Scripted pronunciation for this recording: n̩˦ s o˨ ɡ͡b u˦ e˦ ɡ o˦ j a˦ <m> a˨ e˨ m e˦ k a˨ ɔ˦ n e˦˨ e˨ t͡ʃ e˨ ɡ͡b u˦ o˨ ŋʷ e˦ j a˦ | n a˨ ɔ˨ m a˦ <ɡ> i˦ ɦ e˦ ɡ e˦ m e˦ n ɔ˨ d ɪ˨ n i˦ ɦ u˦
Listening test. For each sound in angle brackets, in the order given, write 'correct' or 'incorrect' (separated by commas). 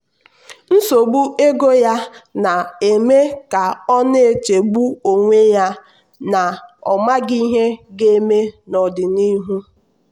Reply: incorrect, correct